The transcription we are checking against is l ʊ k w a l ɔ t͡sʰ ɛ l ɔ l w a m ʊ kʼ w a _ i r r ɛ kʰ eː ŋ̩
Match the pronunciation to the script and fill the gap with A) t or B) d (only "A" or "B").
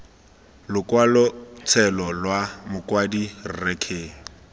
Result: B